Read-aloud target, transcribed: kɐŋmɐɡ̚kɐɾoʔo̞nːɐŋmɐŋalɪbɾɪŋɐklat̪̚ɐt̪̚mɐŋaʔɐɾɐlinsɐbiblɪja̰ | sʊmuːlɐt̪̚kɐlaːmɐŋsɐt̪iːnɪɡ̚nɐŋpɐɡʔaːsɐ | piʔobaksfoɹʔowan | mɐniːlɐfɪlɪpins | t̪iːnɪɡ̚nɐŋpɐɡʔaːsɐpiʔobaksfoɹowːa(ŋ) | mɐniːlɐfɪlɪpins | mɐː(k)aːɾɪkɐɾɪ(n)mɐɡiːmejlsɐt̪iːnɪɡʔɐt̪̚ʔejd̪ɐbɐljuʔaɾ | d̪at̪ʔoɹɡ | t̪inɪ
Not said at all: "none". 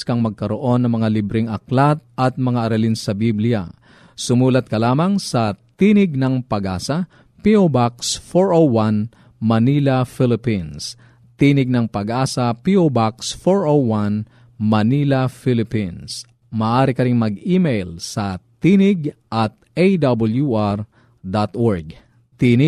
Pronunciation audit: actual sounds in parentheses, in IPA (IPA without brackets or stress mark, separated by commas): n, ʔ, ŋ